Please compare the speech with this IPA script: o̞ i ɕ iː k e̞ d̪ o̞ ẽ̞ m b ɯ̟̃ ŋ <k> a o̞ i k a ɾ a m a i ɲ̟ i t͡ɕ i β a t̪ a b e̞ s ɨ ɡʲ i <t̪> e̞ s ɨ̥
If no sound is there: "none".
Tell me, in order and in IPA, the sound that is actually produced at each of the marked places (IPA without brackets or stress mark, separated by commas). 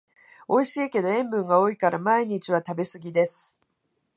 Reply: ɡ, d̪